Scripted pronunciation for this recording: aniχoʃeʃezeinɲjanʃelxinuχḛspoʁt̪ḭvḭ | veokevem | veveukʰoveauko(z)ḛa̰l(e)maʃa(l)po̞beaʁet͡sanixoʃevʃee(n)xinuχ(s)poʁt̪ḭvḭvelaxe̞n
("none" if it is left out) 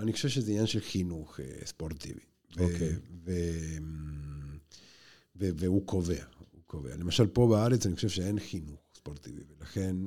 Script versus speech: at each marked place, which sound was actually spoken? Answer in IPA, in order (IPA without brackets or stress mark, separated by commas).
v, e, l, n, s